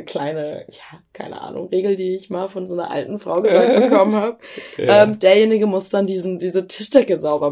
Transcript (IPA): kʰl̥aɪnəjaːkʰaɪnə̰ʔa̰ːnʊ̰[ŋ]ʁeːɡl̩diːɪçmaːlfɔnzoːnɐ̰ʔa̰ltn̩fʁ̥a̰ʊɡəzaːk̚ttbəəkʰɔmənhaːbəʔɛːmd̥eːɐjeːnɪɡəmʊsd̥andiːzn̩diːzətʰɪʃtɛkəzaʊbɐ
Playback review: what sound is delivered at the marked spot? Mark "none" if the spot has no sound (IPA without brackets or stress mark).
ŋ